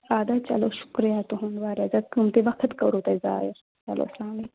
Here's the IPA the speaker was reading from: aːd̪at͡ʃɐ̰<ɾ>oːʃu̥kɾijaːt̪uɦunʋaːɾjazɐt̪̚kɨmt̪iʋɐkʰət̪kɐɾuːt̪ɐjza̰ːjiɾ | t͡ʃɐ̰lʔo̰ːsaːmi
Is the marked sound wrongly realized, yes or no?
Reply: yes